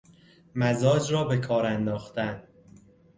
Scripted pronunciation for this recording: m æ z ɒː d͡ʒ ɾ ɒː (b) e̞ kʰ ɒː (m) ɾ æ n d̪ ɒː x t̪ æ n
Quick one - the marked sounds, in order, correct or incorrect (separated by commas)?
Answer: correct, incorrect